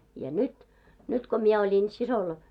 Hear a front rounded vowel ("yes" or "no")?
yes